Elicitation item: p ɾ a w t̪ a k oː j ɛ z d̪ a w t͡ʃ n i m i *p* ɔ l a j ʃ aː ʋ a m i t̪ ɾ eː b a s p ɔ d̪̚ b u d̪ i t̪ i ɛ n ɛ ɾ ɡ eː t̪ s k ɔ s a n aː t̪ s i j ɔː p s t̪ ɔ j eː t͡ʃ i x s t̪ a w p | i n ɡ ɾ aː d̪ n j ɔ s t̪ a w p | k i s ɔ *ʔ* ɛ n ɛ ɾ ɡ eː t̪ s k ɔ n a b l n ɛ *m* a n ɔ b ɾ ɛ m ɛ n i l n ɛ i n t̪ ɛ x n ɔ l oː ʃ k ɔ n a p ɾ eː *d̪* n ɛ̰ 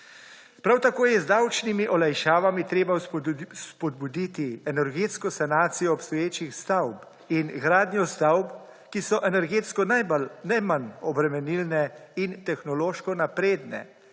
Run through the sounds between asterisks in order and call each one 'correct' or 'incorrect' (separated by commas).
incorrect, correct, correct, correct